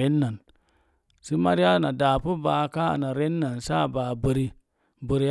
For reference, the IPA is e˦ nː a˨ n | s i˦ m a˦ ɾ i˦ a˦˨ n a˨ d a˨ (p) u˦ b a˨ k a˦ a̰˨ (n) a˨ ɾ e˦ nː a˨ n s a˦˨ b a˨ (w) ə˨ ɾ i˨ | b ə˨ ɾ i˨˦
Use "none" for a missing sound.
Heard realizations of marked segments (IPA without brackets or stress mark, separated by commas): p, n, b